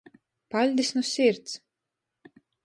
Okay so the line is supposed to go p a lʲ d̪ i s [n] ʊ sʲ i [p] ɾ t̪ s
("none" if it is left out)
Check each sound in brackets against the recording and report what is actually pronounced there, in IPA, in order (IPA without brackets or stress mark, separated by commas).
n, none